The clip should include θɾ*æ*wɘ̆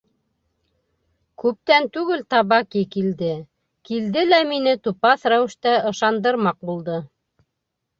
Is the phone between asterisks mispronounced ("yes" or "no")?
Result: no